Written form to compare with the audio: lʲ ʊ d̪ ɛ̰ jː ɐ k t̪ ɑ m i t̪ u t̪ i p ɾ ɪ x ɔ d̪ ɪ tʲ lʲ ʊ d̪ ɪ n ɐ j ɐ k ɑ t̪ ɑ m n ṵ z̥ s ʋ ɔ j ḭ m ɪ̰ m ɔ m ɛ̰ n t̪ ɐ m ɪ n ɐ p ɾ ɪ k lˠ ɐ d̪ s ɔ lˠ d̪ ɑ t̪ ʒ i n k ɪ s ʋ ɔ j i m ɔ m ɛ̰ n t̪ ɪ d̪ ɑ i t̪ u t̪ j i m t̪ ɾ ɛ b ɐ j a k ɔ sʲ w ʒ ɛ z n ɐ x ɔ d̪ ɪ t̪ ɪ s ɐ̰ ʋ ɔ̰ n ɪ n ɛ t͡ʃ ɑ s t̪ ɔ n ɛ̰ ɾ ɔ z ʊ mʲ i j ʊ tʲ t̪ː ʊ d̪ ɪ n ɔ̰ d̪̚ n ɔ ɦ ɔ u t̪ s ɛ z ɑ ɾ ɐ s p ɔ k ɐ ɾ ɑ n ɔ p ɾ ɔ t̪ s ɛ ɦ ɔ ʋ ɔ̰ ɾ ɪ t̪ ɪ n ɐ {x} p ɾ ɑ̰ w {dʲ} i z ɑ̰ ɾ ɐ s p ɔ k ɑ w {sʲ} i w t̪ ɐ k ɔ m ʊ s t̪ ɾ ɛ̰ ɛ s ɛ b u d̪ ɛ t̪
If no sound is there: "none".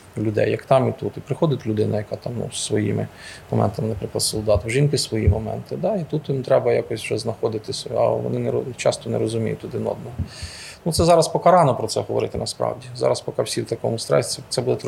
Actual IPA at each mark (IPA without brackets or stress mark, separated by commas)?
s, dʲ, sʲ